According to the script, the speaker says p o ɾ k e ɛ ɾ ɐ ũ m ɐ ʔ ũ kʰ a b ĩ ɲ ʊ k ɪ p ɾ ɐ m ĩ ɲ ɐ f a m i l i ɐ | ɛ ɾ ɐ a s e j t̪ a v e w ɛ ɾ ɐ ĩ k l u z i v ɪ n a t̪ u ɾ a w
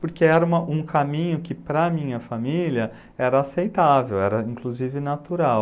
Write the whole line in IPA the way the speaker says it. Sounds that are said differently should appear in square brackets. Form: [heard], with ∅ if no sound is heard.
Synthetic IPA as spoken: p o ɾ k e ɛ ɾ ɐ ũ m ɐ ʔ ũ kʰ a [m] ĩ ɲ ʊ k ɪ p ɾ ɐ m ĩ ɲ ɐ f a m i l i ɐ | ɛ ɾ ɐ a s e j t̪ a v e w ɛ ɾ ɐ ĩ k l u z i v ɪ n a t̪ u ɾ a w